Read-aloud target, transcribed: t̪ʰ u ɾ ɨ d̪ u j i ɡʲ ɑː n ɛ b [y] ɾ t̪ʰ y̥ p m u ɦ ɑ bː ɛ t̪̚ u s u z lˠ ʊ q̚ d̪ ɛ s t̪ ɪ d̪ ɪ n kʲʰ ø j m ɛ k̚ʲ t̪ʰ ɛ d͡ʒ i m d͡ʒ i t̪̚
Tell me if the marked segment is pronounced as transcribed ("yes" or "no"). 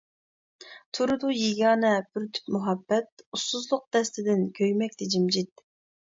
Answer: yes